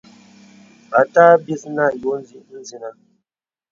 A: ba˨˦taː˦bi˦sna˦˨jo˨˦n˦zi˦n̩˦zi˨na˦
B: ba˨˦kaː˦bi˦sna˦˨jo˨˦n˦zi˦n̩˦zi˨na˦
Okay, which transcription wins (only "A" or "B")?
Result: A